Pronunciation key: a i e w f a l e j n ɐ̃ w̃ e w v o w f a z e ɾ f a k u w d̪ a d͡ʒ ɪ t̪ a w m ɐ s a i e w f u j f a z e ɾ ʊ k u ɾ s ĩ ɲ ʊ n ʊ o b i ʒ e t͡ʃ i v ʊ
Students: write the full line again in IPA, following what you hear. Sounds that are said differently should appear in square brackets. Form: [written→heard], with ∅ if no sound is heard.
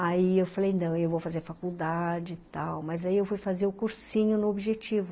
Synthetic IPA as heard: a i e w f a l e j n ɐ̃ w̃ e w v o w f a z e ɾ f a k u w d̪ a d͡ʒ ɪ t̪ a w m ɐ [s→z] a i e w f u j f a z e ɾ ʊ k u ɾ s ĩ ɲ ʊ n ʊ o b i ʒ e t͡ʃ i v ʊ